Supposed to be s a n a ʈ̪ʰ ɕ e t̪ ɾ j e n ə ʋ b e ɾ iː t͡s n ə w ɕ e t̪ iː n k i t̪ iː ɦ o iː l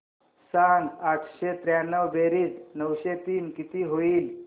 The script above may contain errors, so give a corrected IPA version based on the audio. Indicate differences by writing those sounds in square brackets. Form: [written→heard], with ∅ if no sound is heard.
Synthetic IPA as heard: s a n a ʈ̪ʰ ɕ e t̪ ɾ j [e→a] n ə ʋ b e ɾ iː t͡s n ə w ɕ e t̪ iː n k i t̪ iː ɦ o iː l